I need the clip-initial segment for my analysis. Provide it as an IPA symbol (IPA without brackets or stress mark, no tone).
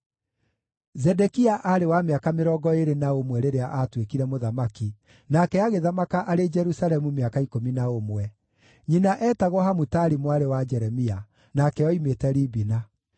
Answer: z